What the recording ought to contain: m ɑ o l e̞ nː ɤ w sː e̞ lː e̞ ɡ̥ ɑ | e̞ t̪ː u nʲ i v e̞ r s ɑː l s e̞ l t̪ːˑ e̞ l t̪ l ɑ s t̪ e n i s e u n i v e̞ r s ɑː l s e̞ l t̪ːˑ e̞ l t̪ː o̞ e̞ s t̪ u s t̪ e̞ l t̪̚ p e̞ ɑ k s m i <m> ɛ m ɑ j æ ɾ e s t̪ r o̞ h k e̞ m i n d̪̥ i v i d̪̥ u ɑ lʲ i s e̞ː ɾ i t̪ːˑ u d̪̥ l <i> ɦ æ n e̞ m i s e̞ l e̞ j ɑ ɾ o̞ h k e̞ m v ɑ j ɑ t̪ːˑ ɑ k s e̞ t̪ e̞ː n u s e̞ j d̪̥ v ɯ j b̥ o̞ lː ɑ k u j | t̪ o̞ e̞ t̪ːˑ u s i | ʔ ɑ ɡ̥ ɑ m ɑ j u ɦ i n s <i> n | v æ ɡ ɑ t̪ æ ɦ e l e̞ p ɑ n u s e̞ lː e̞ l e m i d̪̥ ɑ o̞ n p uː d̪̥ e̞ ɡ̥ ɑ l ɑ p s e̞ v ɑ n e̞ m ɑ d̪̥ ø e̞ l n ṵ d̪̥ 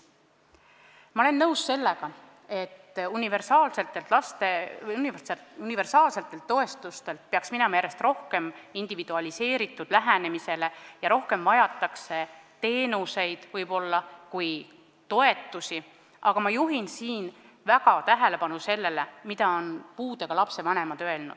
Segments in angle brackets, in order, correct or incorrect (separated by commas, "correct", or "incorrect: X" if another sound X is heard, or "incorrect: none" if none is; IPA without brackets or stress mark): incorrect: n, incorrect: æ, incorrect: iː